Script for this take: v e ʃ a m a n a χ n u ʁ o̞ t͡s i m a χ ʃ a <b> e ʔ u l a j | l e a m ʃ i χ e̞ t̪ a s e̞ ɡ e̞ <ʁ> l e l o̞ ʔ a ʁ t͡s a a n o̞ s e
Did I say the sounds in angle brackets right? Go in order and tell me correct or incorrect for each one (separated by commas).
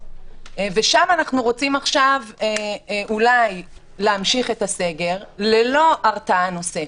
incorrect, correct